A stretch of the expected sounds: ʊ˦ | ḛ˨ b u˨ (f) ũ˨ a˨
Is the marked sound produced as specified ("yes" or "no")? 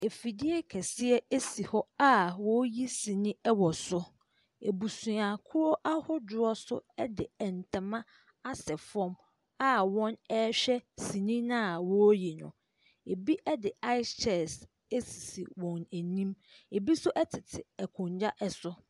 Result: no